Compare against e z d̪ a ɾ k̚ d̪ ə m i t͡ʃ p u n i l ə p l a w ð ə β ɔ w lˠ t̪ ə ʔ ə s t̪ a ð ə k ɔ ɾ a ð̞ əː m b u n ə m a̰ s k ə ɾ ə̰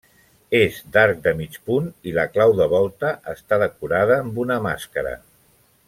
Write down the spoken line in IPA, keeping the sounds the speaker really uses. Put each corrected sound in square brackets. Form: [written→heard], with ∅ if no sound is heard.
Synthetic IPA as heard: e z d̪ a ɾ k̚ d̪ ə m i t͡ʃ p u n i l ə [p→k] l a w ð ə β ɔ [w→∅] lˠ t̪ ə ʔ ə s t̪ a ð ə k [ɔ→u] ɾ a ð̞ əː m b u n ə m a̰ s k ə ɾ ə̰